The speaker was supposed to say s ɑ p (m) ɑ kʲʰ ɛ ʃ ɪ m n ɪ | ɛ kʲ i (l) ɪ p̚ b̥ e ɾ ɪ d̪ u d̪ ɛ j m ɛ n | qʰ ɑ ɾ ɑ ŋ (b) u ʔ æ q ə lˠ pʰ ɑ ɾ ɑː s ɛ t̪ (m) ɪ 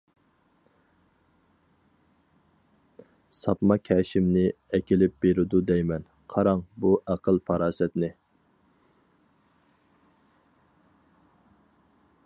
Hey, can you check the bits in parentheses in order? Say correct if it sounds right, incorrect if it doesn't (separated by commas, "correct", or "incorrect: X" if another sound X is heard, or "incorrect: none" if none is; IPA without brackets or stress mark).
correct, correct, correct, incorrect: n